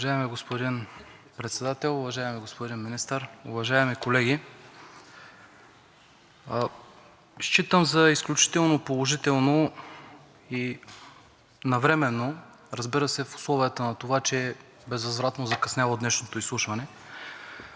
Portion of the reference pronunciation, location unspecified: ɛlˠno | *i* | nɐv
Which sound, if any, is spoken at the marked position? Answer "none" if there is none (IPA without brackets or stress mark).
i